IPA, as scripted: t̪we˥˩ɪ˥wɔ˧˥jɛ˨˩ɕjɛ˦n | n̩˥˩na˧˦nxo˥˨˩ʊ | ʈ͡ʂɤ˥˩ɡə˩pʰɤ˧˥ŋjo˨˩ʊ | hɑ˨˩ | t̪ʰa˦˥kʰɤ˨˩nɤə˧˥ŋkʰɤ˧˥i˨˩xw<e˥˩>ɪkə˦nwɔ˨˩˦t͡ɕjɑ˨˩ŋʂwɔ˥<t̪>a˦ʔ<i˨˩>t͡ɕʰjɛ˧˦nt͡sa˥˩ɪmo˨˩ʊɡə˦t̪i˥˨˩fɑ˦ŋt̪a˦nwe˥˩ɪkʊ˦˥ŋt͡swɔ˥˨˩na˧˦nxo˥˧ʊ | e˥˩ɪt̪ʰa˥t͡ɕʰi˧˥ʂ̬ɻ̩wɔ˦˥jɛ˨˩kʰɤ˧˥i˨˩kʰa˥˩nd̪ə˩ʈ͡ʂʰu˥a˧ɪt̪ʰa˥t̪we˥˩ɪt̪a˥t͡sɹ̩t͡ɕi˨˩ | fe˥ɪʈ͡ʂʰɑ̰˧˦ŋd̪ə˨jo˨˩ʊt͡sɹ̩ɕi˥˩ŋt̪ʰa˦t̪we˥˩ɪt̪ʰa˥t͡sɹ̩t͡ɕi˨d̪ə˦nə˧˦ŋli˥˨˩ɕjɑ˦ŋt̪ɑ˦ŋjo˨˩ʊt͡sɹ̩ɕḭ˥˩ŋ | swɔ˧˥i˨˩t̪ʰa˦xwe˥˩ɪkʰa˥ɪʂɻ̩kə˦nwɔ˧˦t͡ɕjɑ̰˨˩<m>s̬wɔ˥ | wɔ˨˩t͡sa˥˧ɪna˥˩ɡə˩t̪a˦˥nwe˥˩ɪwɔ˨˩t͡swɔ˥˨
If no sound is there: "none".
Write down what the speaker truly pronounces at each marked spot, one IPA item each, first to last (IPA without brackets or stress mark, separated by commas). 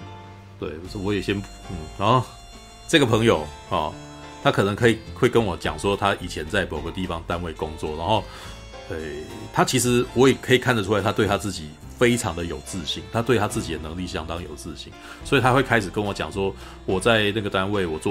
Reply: e˥˩, t̪ʰ, i˨˩, ŋ